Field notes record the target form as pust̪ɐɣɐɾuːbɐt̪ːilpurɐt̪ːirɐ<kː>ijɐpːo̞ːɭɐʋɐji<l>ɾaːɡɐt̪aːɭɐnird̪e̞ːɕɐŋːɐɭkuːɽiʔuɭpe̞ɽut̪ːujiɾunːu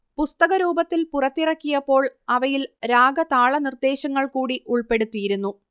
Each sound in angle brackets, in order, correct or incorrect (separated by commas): correct, correct